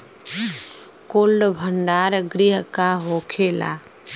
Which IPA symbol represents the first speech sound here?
k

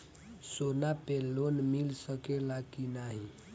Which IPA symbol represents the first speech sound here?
s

